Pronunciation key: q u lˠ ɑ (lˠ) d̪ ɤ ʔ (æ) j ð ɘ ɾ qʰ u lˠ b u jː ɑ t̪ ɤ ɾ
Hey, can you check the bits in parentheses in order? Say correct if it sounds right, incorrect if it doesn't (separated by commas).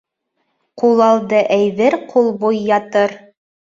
correct, correct